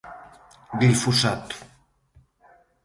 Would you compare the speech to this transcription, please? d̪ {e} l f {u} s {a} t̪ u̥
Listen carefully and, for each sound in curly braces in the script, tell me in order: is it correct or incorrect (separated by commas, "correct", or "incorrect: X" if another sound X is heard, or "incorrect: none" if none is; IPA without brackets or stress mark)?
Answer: incorrect: i, correct, correct